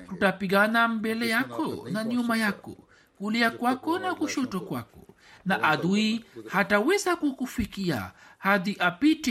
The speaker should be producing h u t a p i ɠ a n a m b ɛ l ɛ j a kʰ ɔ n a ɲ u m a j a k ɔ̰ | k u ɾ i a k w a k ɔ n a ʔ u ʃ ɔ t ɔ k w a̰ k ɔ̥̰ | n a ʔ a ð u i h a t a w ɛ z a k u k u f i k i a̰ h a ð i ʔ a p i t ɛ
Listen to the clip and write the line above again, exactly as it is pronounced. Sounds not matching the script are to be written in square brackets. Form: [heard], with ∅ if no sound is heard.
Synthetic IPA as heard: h u t a p i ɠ a n a m b ɛ l ɛ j a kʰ ɔ n a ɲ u m a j a k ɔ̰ | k u [l] i a k w a k ɔ n a [k] u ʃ ɔ t ɔ k w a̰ k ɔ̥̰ | n a ʔ a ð u i h a t a w ɛ z a k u k u f i k i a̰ h a ð i ʔ a p i t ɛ